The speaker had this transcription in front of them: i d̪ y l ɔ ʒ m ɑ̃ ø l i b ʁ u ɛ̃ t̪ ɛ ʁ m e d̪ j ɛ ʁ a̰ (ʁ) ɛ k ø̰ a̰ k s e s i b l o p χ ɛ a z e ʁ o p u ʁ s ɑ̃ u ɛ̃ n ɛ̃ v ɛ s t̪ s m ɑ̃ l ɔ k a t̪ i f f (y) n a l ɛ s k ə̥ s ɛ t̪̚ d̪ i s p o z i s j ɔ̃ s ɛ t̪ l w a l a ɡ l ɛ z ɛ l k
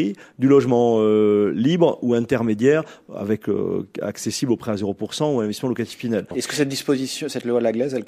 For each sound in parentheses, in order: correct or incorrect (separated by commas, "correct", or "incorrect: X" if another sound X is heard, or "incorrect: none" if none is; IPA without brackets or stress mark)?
incorrect: v, incorrect: i